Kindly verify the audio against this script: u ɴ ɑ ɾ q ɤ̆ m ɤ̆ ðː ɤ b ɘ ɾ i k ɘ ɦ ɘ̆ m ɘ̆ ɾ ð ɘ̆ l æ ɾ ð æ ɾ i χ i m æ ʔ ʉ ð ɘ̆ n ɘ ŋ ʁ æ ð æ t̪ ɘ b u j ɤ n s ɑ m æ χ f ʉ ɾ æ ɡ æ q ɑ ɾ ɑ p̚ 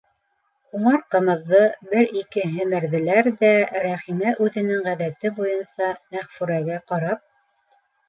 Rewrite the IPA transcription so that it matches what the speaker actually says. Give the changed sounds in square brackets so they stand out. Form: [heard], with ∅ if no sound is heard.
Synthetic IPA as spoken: u ɴ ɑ ɾ q ɤ̆ m ɤ̆ ðː ɤ b ɘ ɾ i k ɘ ɦ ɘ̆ m ɘ̆ ɾ ð ɘ̆ l æ ɾ ð æ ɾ [æ] χ i m æ ʔ ʉ ð ɘ̆ n ɘ ŋ ʁ æ ð æ t̪ ɘ b u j ɤ n s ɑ m æ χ f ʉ ɾ æ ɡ æ q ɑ ɾ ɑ p̚

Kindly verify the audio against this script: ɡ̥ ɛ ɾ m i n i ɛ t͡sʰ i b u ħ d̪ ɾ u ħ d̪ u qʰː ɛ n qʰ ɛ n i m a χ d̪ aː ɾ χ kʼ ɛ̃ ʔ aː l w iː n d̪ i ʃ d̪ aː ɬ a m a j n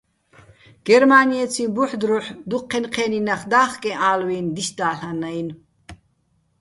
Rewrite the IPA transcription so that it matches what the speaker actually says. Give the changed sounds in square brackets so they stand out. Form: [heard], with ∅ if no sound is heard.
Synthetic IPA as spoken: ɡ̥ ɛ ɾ m [a] n i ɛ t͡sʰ i b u ħ d̪ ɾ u ħ d̪ u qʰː ɛ n qʰ ɛ n i [n] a χ d̪ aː [∅] χ kʼ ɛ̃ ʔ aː l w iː n d̪ i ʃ d̪ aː ɬ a [n] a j n

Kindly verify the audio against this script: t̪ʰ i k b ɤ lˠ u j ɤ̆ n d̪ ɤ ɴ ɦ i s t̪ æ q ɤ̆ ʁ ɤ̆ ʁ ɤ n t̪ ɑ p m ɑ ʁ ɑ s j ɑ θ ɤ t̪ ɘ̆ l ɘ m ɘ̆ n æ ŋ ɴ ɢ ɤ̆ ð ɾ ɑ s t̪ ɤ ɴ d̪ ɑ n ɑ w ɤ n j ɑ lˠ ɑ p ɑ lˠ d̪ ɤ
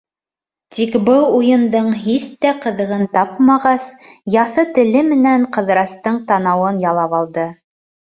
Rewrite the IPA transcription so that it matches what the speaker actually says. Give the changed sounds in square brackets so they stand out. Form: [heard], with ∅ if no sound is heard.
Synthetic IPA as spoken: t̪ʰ i k b ɤ lˠ u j ɤ̆ n d̪ ɤ ɴ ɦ i s t̪ æ q ɤ̆ [ð] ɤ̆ ʁ ɤ n t̪ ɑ p m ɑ ʁ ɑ s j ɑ θ ɤ t̪ ɘ̆ l ɘ m ɘ̆ n æ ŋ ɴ [q] ɤ̆ ð ɾ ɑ s t̪ ɤ ɴ [t̪] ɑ n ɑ w ɤ n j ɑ lˠ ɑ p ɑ lˠ d̪ ɤ

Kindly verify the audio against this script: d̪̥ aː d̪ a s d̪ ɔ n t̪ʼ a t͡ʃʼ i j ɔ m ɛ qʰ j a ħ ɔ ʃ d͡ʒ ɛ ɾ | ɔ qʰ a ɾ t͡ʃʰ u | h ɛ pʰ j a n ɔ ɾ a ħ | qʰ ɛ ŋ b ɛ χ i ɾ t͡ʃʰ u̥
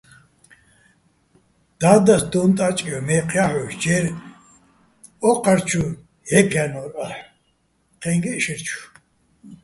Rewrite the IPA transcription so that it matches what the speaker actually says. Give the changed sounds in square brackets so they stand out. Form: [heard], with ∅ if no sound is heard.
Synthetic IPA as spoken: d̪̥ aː d̪ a s d̪ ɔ n t̪ʼ a t͡ʃʼ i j ɔ m ɛ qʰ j a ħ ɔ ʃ d͡ʒ ɛ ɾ | ɔ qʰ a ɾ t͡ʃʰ u | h ɛ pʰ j a n ɔ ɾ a ħ | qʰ ɛ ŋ [ɡ] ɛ [ʃ] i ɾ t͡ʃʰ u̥

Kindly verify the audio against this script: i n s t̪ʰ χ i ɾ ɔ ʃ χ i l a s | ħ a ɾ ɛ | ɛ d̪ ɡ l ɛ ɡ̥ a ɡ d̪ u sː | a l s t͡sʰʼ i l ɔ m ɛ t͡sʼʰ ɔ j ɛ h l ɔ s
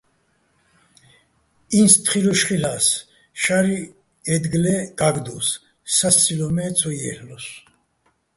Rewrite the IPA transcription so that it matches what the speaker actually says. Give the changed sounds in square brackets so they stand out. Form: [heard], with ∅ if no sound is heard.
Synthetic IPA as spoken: i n s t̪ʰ χ i ɾ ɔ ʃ χ i l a s | [ʃ] a ɾ [i] | ɛ d̪ ɡ l ɛ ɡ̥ a ɡ d̪ u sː | a [∅] s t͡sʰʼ i l ɔ m ɛ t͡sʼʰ ɔ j ɛ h l ɔ s

